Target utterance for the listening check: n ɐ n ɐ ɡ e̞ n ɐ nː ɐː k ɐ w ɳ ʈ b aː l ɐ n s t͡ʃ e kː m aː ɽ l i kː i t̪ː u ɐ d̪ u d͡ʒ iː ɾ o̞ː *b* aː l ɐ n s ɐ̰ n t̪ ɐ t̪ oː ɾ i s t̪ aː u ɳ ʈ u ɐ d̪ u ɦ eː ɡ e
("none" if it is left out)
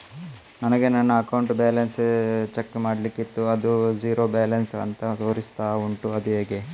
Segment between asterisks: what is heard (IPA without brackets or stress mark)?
b